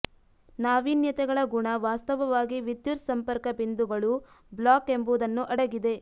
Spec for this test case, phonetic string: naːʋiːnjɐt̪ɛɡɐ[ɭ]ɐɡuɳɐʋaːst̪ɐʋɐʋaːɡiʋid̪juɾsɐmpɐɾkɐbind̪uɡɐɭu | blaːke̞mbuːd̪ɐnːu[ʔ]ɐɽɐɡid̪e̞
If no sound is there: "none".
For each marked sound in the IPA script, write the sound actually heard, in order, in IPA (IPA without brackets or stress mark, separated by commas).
ɭ, ʔ